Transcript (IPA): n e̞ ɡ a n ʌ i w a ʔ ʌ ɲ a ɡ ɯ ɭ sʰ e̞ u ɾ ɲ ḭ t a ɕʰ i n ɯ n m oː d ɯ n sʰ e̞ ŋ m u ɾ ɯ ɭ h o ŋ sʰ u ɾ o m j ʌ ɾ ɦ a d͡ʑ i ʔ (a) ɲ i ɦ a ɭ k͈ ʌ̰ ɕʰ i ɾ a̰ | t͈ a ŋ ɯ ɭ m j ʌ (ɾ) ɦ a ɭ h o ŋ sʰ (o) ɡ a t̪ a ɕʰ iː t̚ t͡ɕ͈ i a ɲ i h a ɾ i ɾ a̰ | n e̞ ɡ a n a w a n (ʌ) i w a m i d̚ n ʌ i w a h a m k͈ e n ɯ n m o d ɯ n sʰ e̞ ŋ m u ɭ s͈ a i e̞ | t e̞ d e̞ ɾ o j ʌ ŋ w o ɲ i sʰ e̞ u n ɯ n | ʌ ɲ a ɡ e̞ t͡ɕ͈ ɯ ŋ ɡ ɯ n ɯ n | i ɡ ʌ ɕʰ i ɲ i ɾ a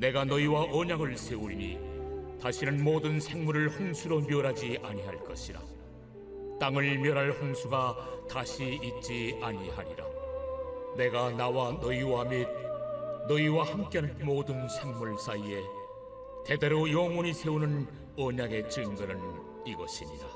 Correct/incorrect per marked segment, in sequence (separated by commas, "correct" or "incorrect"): correct, correct, incorrect, correct